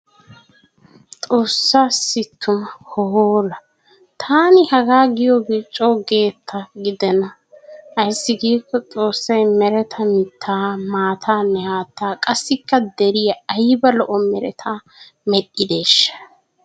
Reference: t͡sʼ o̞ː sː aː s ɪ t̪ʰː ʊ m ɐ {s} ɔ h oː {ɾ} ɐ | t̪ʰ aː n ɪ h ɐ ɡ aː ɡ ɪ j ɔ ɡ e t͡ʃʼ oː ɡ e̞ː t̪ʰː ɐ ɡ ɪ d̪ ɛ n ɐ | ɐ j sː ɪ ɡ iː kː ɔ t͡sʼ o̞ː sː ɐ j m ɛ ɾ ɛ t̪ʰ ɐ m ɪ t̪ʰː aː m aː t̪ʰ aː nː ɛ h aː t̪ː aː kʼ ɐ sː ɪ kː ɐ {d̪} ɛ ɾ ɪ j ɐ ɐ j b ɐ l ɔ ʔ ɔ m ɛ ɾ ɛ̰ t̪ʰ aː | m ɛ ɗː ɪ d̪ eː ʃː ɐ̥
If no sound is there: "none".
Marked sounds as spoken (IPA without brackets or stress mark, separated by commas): h, l, d̪